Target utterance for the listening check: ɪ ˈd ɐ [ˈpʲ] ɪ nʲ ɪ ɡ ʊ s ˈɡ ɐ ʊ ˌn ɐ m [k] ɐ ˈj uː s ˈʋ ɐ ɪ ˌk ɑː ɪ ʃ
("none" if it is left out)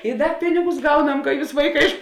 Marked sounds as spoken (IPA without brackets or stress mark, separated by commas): pʲ, k